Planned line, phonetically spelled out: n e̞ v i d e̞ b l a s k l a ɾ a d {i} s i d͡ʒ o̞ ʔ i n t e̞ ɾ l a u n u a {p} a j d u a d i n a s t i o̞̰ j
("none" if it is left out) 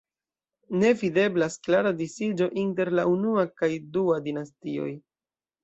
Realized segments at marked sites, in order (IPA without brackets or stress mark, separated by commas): i, k